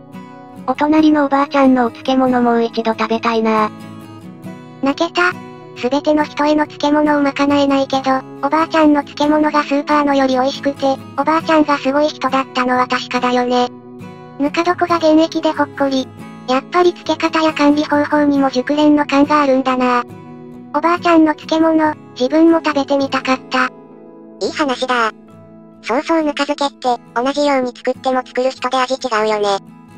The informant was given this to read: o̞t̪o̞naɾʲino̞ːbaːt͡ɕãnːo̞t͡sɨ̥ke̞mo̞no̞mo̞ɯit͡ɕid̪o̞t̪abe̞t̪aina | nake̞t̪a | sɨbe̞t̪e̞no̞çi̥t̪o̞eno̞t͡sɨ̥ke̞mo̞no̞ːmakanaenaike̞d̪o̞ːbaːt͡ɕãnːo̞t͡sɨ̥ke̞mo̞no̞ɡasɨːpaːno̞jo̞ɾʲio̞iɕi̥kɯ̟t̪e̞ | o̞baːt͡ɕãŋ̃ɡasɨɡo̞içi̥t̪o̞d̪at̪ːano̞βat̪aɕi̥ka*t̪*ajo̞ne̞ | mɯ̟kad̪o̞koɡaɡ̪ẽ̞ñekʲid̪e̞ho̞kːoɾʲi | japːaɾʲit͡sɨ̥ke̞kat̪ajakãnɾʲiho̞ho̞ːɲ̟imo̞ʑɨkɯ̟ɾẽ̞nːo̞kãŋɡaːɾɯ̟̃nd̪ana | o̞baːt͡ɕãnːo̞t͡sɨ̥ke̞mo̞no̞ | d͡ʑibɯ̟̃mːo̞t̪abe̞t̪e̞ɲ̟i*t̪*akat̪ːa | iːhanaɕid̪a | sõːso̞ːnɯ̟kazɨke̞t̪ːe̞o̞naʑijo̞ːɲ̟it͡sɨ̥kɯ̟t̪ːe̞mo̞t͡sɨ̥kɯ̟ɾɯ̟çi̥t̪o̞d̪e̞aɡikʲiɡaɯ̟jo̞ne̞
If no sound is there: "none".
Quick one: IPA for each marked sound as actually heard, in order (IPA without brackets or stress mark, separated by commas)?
d̪, t̪